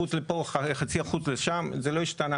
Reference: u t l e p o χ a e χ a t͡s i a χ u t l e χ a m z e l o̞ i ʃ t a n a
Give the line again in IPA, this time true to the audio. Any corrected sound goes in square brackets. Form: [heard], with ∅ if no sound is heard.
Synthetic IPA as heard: u [t͡s] l e p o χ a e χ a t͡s i a χ u [t͡s] l e [ʃ] a m z e l o̞ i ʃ t a n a